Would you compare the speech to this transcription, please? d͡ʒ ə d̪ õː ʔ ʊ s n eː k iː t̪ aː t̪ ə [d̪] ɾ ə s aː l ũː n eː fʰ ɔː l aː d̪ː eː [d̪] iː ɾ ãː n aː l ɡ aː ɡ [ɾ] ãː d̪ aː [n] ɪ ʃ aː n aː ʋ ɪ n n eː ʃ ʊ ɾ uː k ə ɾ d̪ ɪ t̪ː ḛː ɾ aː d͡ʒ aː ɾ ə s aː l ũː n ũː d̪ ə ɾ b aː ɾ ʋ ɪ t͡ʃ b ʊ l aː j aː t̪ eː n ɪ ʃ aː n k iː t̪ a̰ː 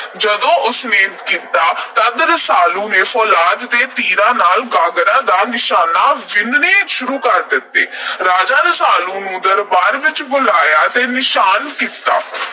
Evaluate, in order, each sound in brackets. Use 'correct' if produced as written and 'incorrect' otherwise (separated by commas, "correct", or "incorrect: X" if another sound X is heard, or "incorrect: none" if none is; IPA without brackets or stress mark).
correct, incorrect: t̪, correct, correct